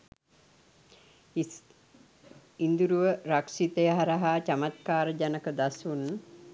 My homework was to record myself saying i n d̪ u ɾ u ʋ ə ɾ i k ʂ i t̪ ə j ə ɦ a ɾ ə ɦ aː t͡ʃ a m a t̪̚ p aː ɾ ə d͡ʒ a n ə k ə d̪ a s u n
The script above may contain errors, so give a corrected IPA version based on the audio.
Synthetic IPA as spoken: i n d̪ u ɾ u ʋ ə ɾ a k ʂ i t̪ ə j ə ɦ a ɾ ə ɦ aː t͡ʃ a m a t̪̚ k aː ɾ ə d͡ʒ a n ə k ə d̪ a s u n